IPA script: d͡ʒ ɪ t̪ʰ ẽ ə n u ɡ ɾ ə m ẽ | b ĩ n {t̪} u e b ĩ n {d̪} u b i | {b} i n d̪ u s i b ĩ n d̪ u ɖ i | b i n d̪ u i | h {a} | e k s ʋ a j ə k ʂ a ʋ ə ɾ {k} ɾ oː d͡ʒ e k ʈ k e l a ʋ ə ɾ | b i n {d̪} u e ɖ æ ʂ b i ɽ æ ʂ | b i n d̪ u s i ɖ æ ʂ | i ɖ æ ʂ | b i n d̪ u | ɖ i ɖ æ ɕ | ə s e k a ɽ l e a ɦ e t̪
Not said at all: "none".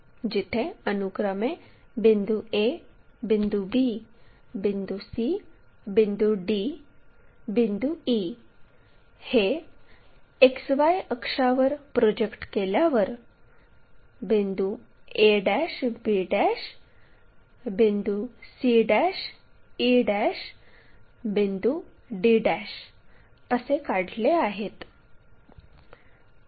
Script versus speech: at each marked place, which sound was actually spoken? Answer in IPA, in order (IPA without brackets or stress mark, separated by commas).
d̪, d̪, b, e, p, d̪